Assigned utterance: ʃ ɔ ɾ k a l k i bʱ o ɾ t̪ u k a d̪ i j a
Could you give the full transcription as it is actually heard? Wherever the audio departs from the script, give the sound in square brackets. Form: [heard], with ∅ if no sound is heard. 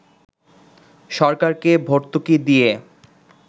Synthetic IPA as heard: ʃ ɔ ɾ k a [ɾ] k [e] bʱ o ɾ t̪ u k [i] d̪ i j [e]